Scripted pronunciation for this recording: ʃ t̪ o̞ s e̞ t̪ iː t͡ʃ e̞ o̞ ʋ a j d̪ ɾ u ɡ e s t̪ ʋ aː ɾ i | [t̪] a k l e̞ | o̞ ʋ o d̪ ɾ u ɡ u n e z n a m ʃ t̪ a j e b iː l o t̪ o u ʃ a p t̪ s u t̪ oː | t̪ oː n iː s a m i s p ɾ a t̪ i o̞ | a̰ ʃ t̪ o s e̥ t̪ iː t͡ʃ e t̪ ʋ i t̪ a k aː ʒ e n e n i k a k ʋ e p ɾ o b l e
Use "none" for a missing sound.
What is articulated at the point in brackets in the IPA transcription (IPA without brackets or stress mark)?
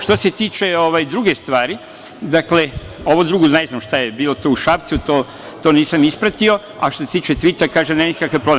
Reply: d̪